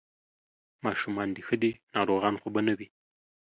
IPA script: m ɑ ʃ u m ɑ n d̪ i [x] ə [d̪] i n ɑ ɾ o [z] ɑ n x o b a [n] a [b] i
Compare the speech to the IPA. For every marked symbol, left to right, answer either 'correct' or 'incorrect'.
correct, correct, incorrect, correct, incorrect

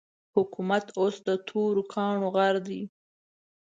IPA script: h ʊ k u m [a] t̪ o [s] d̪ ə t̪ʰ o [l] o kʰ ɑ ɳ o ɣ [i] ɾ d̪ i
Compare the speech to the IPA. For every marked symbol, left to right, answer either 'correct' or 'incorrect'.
correct, correct, incorrect, incorrect

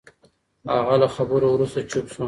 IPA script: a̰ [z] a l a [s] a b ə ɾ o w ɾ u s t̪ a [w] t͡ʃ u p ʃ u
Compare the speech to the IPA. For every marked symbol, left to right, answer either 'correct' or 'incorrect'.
incorrect, incorrect, incorrect

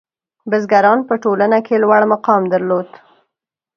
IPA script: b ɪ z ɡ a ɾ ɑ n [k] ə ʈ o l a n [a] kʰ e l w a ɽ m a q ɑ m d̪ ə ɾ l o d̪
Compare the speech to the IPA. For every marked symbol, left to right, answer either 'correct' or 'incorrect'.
incorrect, correct

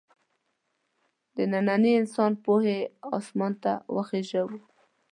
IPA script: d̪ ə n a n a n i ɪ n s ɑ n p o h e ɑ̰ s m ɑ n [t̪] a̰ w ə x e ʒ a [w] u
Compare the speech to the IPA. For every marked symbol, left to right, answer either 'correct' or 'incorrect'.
correct, correct

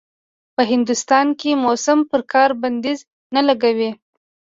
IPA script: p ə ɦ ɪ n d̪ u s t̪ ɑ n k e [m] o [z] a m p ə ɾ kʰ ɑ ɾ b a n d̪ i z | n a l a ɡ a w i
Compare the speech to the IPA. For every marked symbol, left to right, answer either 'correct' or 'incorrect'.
correct, incorrect

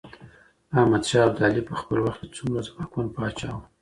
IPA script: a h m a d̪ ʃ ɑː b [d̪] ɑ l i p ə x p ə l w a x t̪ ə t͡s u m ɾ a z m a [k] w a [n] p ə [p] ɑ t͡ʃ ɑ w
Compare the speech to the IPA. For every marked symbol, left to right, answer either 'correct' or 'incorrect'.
correct, correct, correct, incorrect

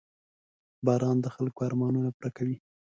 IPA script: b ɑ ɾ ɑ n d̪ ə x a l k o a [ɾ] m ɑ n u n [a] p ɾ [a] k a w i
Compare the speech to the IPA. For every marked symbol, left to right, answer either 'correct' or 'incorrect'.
correct, correct, correct

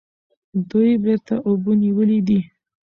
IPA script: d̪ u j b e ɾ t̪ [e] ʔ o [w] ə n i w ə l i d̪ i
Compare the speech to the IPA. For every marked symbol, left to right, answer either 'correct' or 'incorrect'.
incorrect, incorrect

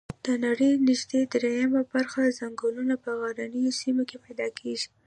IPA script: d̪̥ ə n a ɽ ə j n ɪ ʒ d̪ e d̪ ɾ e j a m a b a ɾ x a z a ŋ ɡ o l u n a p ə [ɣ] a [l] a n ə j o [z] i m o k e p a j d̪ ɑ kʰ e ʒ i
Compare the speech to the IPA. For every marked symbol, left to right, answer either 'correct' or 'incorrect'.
correct, incorrect, incorrect

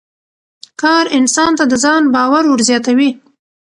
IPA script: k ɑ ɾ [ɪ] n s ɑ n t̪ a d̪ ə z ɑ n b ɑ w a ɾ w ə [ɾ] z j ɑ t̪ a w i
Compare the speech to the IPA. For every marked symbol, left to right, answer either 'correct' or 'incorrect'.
correct, correct

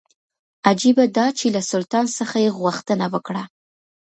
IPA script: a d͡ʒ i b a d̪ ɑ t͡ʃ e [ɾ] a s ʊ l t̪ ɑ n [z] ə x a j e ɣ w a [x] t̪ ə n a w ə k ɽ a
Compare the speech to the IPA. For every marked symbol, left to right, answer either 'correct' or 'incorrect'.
incorrect, incorrect, correct

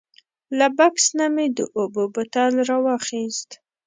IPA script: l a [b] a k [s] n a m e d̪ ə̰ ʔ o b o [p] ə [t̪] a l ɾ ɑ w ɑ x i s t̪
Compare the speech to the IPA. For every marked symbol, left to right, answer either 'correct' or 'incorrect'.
correct, correct, incorrect, correct

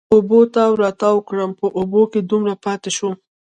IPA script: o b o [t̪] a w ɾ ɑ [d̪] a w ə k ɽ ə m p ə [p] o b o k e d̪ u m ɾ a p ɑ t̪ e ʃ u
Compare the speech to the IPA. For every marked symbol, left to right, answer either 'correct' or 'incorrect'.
correct, incorrect, incorrect

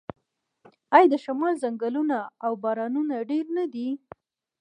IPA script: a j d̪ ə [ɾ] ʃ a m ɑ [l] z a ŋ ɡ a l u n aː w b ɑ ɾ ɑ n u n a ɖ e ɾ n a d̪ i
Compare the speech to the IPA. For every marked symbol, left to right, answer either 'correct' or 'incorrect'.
incorrect, correct

